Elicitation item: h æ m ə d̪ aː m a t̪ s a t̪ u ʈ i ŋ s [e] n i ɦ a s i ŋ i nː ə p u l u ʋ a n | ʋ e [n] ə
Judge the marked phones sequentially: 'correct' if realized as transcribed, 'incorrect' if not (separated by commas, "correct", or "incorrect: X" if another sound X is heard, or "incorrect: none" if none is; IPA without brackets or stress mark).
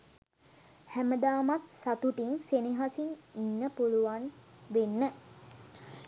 correct, incorrect: nː